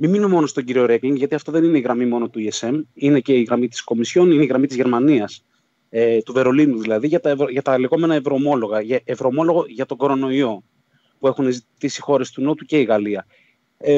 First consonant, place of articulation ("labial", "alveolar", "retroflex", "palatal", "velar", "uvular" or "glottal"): labial